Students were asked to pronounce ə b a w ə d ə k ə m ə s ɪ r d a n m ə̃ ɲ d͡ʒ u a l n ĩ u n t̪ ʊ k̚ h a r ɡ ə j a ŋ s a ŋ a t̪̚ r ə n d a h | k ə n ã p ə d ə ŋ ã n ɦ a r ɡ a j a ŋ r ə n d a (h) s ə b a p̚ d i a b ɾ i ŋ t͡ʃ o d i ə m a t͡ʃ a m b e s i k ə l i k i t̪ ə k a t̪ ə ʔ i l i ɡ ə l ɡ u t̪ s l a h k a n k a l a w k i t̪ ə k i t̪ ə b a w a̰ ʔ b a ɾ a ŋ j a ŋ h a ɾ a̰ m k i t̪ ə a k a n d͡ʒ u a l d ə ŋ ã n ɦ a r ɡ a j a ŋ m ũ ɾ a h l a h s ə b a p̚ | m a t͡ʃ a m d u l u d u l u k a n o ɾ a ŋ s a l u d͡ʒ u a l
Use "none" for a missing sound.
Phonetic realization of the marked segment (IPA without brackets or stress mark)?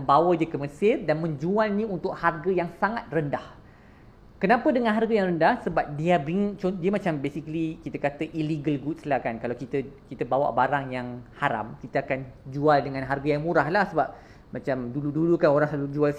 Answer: h